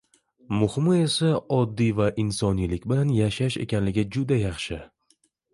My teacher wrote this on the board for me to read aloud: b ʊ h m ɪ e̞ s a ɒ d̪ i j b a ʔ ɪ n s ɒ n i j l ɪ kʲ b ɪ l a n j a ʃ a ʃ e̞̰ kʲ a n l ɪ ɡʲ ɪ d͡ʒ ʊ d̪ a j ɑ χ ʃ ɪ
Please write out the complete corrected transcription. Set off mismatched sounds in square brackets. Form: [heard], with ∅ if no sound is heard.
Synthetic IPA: [m] ʊ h m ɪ e̞ s a ɒ [d̪ː] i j [v] a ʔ ɪ n s ɒ n i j l ɪ kʲ b ɪ l a n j a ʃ a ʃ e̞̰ kʲ a n l ɪ ɡʲ ɪ d͡ʒ ʊ d̪ a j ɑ χ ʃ ɪ